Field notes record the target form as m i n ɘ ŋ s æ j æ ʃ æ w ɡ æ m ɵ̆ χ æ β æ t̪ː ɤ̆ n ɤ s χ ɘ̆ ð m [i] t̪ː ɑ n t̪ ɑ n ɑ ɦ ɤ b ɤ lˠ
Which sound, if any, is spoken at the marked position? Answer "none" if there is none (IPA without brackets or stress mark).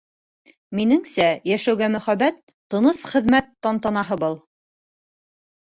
æ